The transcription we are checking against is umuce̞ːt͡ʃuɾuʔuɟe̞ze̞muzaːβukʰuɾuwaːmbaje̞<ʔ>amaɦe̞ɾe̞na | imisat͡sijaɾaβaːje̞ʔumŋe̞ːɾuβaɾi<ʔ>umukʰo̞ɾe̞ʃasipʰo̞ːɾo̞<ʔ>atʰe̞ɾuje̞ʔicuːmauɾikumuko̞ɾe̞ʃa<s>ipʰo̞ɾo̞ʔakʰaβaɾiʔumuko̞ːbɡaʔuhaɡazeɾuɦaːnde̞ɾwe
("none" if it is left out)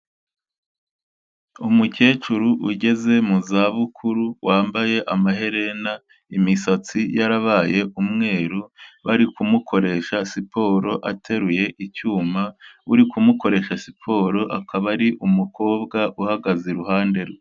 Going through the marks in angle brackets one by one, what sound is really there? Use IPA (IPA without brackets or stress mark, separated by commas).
ʔ, k, ʔ, s